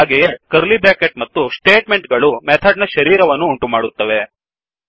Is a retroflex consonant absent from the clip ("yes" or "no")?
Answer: no